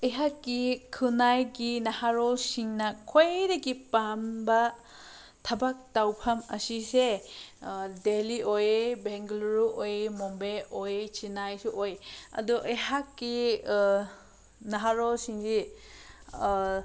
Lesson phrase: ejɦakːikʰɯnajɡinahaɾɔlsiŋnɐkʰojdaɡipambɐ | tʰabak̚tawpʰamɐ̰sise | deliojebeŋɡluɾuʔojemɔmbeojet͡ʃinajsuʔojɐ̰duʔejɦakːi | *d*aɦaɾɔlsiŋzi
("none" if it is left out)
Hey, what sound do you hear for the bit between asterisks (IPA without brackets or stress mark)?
n